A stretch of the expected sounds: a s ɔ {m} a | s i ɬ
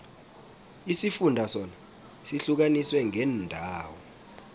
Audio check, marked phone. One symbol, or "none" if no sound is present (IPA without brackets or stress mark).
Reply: n